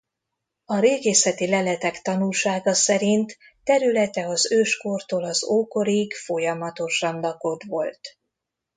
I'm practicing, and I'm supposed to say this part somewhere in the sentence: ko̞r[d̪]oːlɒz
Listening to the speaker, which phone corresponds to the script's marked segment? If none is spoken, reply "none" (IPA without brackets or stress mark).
t̪